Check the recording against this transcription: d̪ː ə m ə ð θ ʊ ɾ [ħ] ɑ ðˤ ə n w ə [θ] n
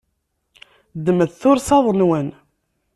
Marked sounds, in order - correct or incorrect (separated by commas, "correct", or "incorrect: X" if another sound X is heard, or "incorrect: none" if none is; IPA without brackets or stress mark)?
incorrect: s, incorrect: none